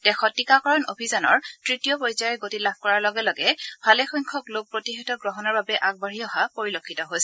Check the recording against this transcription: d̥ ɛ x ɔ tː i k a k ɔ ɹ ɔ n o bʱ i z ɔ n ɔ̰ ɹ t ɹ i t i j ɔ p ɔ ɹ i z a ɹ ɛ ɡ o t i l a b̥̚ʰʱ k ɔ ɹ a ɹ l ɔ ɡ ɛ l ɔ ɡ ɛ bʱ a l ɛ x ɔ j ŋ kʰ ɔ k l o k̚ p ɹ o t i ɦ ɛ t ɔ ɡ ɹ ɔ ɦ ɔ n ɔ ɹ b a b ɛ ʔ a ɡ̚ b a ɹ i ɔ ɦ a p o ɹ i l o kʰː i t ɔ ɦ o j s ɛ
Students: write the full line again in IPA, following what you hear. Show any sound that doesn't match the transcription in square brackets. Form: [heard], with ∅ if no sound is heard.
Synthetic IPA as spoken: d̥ ɛ x ɔ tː i k a k ɔ ɹ ɔ n o bʱ i z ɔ n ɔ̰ ɹ t ɹ i t i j ɔ p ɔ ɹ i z a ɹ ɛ ɡ o t i l a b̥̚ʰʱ k ɔ ɹ a ɹ l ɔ ɡ ɛ l ɔ ɡ ɛ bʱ a l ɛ x ɔ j ŋ kʰ ɔ k l o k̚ p ɹ o t i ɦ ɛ t ɔ ɡ ɹ ɔ ɦ ɔ n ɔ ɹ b a b ɛ ʔ a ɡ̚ b a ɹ i ɔ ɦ a p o ɹ i l o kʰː i t ɔ ɦ o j s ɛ